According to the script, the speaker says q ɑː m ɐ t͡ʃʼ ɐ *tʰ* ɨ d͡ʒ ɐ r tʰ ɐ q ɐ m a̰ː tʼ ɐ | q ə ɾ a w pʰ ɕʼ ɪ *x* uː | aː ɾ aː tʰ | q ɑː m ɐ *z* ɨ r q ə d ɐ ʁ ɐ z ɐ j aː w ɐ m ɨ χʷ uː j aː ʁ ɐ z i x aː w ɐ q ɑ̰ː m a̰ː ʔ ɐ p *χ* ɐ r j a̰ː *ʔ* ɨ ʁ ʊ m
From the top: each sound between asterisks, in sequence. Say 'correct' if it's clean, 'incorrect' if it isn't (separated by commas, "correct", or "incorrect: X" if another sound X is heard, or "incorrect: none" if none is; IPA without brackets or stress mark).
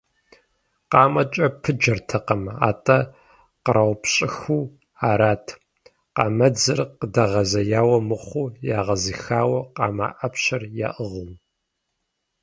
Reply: incorrect: pʰ, correct, incorrect: d͡z, incorrect: ɕ, correct